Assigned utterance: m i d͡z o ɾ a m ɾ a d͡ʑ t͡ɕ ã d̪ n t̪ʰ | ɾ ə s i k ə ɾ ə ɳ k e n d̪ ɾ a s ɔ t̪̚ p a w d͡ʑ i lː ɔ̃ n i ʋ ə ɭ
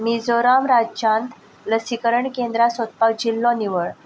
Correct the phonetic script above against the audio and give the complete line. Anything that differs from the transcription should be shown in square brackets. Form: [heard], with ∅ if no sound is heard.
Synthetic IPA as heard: m i d͡z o ɾ a m ɾ a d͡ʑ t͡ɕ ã [∅] n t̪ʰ | [l] ə s i k ə ɾ ə ɳ k e n d̪ ɾ a s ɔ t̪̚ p a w d͡ʑ i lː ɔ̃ n i ʋ ə ɭ